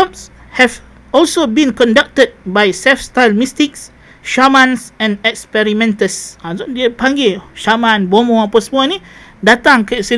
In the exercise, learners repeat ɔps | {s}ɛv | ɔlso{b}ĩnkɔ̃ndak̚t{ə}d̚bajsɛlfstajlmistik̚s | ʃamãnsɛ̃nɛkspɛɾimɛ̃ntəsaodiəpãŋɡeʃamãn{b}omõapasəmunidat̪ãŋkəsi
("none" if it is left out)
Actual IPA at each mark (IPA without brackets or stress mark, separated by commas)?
h, b, ə, b